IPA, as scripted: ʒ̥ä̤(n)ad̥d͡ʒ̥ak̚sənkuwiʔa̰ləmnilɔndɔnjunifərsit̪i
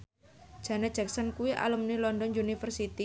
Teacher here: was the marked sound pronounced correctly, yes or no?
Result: yes